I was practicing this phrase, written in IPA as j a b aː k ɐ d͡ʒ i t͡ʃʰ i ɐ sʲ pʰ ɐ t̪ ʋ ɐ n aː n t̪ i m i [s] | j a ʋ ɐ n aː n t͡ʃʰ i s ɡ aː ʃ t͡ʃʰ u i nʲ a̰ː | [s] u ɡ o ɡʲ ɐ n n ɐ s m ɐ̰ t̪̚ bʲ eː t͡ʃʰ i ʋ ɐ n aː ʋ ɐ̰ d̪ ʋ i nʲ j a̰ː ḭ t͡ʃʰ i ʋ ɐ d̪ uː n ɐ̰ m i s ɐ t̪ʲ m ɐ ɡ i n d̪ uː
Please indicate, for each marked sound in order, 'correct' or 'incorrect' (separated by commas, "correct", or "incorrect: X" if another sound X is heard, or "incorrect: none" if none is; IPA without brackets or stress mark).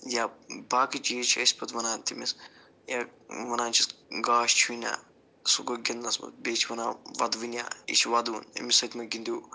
correct, correct